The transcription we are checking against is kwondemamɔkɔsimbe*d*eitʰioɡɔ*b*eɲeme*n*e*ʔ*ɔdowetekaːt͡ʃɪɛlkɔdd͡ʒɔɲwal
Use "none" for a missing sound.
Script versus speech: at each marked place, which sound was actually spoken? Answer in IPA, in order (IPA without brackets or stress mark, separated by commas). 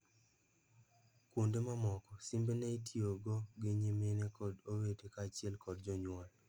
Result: n, ɡ, n, k